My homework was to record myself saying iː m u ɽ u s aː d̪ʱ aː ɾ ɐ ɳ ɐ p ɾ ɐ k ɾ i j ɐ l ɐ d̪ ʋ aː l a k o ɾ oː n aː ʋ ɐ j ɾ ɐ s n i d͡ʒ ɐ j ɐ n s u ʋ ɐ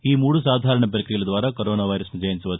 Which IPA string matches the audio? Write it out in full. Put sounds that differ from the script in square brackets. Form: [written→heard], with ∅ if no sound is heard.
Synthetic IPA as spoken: iː m [u→uː] ɽ u s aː d̪ʱ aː ɾ ɐ ɳ ɐ p ɾ ɐ k ɾ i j ɐ l ɐ d̪ ʋ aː [l→ɾ] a k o ɾ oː n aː ʋ ɐ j ɾ ɐ s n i d͡ʒ ɐ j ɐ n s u ʋ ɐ